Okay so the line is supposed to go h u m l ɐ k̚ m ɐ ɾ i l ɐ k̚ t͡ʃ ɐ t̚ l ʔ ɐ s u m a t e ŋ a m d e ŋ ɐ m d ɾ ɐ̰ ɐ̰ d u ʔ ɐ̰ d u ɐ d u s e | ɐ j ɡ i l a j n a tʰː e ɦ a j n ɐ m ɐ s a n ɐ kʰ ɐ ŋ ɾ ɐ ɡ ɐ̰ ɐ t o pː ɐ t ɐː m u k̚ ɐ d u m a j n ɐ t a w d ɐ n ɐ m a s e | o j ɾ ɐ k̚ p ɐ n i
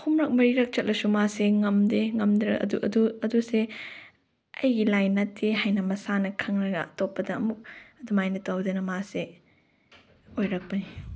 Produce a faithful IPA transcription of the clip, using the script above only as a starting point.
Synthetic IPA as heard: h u m ɾ ɐ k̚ m ɐ ɾ i ɾ ɐ k̚ t͡ʃ ɐ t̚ l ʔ ɐ s u m a s e ŋ ɐ m d e ŋ ɐ m d ɾ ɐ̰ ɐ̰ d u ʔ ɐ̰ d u ɐ d u s e | ɐ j ɡ i l a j n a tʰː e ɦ a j n ɐ m ɐ s a n ɐ kʰ ɐ ŋ ɾ ɐ ɡ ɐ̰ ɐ t o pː ɐ d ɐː m u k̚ ɐ d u m a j n ɐ t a w d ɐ n ɐ m a s e | o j ɾ ɐ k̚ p ɐ n i